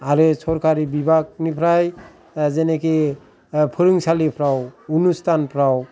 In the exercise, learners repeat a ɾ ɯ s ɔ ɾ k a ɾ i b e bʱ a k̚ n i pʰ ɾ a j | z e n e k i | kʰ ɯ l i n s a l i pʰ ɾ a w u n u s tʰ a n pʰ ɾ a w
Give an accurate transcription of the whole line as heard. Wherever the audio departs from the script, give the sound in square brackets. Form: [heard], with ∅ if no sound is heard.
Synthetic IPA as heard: a ɾ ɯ s ɔ ɾ k a ɾ i b [i] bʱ a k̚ n i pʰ ɾ a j | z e n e k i | [pʰ] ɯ [ɾ] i [ŋ] s a l i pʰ ɾ a w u n u s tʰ a n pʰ ɾ a w